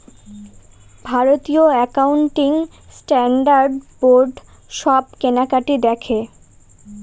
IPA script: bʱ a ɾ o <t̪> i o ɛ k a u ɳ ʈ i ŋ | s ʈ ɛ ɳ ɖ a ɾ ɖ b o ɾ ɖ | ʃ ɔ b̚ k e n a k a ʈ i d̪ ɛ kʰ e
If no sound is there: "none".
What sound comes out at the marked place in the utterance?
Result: t̪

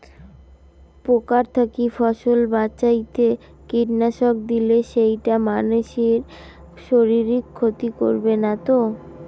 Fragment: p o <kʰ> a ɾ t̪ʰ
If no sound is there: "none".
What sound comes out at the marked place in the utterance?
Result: k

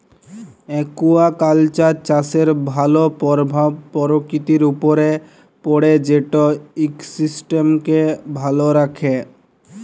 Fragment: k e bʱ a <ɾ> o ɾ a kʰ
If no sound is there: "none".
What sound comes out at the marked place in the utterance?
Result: l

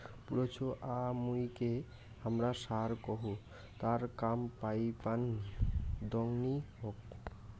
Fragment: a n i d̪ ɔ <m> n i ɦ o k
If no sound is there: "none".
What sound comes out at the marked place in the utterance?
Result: ŋ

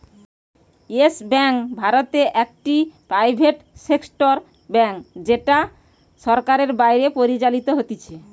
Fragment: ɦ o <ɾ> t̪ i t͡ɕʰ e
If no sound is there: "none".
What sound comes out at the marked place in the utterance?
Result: none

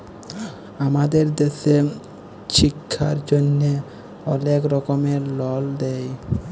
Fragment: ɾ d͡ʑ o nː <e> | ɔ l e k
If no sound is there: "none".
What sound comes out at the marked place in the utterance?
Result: e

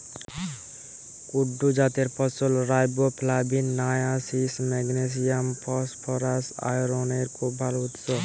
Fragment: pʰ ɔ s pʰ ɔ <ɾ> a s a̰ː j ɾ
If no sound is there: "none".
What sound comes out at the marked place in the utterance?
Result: ɾ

